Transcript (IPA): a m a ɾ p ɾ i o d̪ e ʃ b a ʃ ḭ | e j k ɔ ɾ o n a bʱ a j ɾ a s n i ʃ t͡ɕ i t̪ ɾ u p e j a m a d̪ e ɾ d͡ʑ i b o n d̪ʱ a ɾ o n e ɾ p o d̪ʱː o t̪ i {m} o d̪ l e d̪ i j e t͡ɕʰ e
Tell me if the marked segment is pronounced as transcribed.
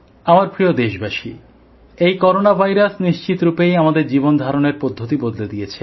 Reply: no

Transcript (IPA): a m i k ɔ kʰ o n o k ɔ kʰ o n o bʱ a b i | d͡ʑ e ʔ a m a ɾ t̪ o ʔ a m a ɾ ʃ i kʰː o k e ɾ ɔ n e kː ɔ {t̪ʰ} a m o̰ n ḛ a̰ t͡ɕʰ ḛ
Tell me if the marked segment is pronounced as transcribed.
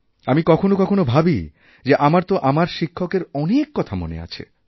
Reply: yes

